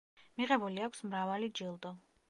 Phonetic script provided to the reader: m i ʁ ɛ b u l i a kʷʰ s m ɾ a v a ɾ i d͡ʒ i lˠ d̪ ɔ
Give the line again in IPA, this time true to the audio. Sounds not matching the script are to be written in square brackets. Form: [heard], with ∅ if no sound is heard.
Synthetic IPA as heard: m i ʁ ɛ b u l i a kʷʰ s m ɾ a v a [l] i d͡ʒ i lˠ d̪ ɔ